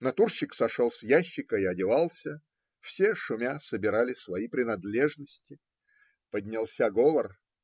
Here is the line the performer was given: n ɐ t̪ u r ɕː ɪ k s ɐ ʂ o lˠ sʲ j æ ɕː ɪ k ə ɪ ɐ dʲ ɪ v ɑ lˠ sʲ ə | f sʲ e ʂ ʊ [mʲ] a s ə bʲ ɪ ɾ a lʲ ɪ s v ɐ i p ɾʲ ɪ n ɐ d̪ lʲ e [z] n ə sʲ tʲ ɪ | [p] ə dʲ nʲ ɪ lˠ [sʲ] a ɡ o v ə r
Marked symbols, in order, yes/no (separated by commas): yes, no, yes, yes